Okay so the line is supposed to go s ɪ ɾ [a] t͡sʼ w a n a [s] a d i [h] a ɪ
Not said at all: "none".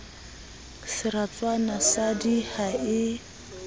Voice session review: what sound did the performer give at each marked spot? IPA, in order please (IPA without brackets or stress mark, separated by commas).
a, s, h